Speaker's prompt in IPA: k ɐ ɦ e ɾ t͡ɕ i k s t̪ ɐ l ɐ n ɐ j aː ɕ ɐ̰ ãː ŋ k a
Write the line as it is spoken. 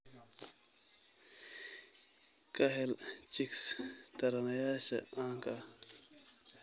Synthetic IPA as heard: k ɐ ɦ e l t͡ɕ i k s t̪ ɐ ɾ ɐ n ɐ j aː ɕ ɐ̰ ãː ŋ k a